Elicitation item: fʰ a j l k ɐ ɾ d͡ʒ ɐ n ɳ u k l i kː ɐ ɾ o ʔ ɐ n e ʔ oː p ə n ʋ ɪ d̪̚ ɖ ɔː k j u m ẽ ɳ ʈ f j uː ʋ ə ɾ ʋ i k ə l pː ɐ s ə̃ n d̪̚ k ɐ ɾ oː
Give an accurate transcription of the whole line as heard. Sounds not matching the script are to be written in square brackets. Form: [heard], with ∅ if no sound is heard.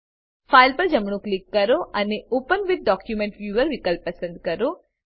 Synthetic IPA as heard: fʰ a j l [p] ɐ ɾ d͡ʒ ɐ [m] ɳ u k l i kː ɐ ɾ o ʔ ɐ n e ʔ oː p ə n ʋ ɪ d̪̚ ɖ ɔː k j u m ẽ ɳ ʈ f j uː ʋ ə ɾ ʋ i k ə l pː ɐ s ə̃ n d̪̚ k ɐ ɾ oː